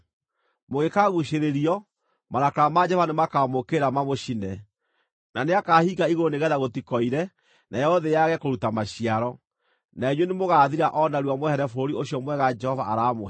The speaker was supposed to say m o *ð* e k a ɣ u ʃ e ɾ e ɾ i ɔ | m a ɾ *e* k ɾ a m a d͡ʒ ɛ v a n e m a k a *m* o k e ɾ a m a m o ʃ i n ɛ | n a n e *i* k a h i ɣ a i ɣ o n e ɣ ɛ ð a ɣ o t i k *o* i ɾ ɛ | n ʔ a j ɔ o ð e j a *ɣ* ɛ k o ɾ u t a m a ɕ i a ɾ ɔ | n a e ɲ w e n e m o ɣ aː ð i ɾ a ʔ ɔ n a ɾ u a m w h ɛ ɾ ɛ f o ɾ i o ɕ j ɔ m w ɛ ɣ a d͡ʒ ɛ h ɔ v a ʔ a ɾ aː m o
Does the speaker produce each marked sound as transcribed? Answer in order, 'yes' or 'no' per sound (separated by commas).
no, no, yes, no, no, yes